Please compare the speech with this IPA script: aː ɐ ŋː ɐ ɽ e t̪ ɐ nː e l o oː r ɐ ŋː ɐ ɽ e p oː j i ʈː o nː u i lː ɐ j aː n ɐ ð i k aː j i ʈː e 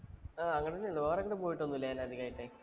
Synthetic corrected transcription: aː ɐ ŋː ɐ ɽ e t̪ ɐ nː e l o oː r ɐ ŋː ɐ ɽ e p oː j i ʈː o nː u i lː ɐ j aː n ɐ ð i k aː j i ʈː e

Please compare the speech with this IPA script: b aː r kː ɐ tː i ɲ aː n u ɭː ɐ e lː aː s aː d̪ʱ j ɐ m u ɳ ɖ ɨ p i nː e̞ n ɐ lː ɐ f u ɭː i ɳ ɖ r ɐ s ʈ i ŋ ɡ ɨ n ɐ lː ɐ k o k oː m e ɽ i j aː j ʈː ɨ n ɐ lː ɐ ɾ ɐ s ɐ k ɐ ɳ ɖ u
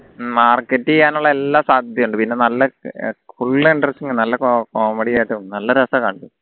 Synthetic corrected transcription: m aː r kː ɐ tː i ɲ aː n u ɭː ɐ e lː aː s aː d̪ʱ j ɐ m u ɳ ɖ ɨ p i nː e̞ n ɐ lː ɐ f u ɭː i ɳ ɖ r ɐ s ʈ i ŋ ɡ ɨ n ɐ lː ɐ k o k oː m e ɽ i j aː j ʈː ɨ n ɐ lː ɐ ɾ ɐ s ɐ k ɐ ɳ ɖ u

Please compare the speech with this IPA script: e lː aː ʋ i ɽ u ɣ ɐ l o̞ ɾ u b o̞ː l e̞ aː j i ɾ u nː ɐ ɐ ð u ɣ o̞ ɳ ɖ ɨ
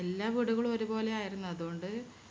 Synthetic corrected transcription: e lː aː ʋ i ɽ u ɣ ɐ ɭ o̞ ɾ u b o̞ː l e̞ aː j i ɾ u nː ɐ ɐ ð u ɣ o̞ ɳ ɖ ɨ

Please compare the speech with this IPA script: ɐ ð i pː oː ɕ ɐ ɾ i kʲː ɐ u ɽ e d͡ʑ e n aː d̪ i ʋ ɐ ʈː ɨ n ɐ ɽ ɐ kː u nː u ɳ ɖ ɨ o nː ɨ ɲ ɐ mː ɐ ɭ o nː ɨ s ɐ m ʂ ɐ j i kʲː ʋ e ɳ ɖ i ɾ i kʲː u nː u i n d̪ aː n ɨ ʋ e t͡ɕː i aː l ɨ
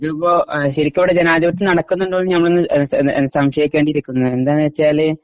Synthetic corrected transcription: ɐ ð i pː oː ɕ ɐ ɾ i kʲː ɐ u ɽ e d͡ʑ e n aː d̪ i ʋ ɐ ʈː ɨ n ɐ ɽ ɐ kː u nː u ɳ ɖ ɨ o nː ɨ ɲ ɐ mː ɐ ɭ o nː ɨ s ɐ m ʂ ɐ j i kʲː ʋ e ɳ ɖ i ɾ i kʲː u nː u e n d̪ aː n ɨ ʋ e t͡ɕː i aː l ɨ

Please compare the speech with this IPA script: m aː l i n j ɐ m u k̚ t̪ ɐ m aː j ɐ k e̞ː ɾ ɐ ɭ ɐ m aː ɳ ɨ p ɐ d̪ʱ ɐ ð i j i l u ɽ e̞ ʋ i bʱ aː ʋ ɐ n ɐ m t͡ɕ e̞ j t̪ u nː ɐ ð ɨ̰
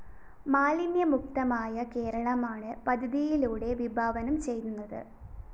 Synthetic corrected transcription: m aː l i n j ɐ m u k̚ t̪ ɐ m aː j ɐ k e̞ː ɾ ɐ ɭ ɐ m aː ɳ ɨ p ɐ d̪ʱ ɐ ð i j i l uː ɽ e̞ ʋ i bʱ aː ʋ ɐ n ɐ m t͡ɕ e̞ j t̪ u nː ɐ ð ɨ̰

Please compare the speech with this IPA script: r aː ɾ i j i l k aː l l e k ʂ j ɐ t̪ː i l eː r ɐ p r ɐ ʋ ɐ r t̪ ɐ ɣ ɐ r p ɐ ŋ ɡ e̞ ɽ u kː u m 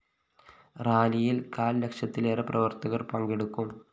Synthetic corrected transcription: r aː l i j i l k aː l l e k ʂ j ɐ t̪ː i l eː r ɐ p r ɐ ʋ ɐ r t̪ ɐ ɣ ɐ r p ɐ ŋ ɡ e̞ ɽ u kː u m

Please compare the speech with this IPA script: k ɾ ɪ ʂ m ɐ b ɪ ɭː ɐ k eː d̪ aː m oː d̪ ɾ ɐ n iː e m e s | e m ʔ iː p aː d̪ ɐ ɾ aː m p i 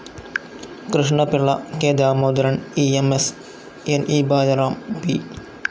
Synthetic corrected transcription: k ɾ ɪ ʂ ɳ ɐ p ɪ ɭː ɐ k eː d̪ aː m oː d̪ ɾ ɐ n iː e m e s | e n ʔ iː b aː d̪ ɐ ɾ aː m p i

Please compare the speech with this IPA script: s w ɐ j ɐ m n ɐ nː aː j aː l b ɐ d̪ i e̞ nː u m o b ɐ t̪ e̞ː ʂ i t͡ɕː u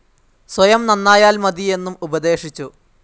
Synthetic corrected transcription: s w ɐ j ɐ m n ɐ nː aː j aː l m ɐ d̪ i e̞ nː u m u b ɐ d̪ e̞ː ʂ i t͡ɕː u

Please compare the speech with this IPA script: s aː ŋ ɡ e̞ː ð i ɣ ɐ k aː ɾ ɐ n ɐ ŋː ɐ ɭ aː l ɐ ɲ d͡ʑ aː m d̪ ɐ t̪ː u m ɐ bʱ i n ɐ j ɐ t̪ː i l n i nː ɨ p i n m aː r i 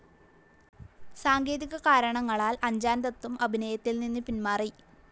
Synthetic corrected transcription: s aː ŋ ɡ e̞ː ð i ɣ ɐ k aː ɾ ɐ ɳ ɐ ŋː ɐ ɭ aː l ɐ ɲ d͡ʑ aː n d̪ ɐ t̪ː u m ɐ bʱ i n ɐ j ɐ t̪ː i l n i nː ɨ p i n m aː r i

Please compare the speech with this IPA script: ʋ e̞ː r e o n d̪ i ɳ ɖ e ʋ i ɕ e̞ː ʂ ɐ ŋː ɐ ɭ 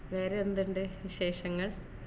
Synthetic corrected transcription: ʋ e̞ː ɾ e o n d̪ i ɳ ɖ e ʋ i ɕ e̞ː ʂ ɐ ŋː ɐ ɭ

